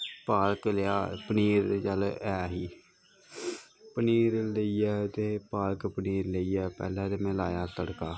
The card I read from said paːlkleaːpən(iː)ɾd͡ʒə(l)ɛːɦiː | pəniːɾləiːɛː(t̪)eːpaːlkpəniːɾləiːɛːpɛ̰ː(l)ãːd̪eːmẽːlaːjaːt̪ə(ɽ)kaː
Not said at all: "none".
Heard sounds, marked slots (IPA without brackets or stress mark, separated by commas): iː, l, t̪, l, ɽ